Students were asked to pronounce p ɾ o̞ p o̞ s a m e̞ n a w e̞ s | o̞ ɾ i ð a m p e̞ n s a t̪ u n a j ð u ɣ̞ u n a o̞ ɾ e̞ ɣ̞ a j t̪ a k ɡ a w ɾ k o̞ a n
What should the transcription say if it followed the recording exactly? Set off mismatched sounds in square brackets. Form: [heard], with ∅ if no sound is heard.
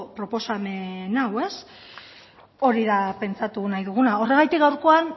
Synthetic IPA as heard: p ɾ o̞ p o̞ s a m e̞ n a w e̞ s | o̞ ɾ i ð a [∅] p e̞ n [t͡s] a t̪ u n a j ð u ɣ̞ u n a o̞ [r] e̞ ɣ̞ a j t̪ [i] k ɡ a w ɾ k o̞ a n

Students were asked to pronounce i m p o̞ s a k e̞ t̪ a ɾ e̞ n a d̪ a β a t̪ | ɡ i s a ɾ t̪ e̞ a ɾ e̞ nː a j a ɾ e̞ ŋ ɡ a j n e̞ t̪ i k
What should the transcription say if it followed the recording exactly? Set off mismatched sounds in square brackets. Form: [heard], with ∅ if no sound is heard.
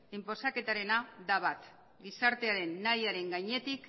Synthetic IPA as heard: i m p o̞ s a k e̞ t̪ a ɾ e̞ n a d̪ a β a t̪ | ɡ i s a ɾ t̪ e̞ a ɾ e̞ nː a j a ɾ e̞ ŋ ɡ a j [ɲ] e̞ t̪ i k

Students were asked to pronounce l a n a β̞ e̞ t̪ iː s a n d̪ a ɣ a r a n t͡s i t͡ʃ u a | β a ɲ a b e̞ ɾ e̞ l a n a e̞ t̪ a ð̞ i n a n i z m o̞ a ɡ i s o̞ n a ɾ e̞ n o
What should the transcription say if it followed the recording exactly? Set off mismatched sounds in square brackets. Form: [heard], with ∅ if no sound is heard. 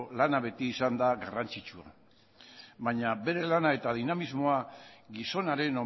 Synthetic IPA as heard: l a n a β̞ e̞ t̪ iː s a n d̪ a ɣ a r a n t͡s i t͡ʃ u a | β a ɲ a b e̞ ɾ e̞ l a n a e̞ t̪ a ð̞ i n a [m] i z m o̞ a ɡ i s o̞ n a ɾ e̞ n o

